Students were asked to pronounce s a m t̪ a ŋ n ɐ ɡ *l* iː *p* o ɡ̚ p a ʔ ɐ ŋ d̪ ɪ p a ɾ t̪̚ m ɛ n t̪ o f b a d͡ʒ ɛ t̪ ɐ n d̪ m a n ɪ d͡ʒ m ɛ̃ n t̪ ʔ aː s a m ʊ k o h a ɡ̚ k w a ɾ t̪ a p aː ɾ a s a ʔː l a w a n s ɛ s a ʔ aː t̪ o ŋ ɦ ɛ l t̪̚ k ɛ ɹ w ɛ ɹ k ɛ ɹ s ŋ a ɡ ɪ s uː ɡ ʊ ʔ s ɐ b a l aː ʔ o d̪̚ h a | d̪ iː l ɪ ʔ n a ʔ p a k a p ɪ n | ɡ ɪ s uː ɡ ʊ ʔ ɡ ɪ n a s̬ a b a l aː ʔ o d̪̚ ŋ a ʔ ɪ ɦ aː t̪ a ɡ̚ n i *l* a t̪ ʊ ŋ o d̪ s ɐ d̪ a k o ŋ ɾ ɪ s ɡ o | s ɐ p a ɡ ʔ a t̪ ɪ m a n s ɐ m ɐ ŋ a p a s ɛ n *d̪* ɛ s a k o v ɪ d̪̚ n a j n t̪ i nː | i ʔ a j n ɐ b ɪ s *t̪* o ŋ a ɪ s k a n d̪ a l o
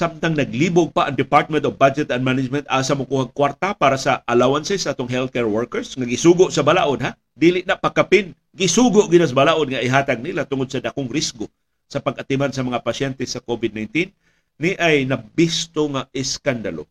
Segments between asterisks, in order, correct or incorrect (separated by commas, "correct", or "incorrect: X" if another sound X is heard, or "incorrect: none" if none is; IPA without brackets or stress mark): correct, incorrect: b, correct, incorrect: t̪, correct